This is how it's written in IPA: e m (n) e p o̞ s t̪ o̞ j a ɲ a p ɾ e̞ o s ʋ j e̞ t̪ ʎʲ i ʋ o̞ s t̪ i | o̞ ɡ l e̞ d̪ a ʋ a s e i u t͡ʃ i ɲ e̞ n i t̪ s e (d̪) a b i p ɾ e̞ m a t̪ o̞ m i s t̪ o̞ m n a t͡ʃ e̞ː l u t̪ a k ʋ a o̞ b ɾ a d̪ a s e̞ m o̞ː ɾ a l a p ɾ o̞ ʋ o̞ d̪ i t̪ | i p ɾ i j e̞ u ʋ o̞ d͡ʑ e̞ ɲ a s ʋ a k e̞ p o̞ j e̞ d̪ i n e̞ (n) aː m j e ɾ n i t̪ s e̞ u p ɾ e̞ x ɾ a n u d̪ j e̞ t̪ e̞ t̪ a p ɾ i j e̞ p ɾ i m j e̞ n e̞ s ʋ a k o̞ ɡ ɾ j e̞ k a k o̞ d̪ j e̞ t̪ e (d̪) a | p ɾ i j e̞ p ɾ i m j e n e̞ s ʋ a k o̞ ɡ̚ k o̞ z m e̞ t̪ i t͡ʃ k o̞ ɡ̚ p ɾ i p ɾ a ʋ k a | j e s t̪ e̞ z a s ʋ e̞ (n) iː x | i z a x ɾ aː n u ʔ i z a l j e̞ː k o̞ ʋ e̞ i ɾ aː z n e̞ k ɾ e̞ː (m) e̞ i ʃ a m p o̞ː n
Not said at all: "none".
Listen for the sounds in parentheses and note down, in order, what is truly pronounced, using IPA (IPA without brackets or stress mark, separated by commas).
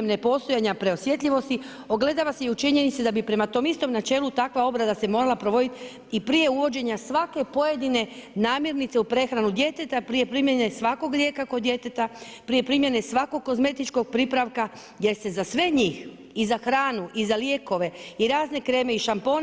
n, d̪, n, t̪, ɲ, m